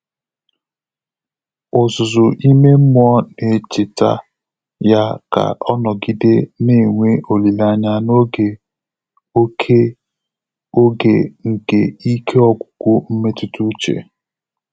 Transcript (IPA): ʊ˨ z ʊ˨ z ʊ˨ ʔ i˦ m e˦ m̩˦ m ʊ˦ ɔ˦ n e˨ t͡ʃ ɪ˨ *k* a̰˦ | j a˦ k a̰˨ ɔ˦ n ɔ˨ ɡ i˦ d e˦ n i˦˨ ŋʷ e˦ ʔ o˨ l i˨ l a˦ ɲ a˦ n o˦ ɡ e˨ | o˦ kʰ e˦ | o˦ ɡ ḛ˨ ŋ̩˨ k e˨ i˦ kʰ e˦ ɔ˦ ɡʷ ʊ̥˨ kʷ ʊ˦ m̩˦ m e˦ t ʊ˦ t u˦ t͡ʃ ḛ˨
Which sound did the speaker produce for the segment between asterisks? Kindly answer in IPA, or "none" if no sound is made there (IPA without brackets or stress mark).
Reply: t